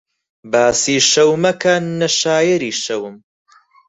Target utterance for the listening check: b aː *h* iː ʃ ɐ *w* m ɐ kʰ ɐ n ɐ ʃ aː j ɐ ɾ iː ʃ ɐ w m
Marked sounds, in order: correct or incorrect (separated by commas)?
incorrect, correct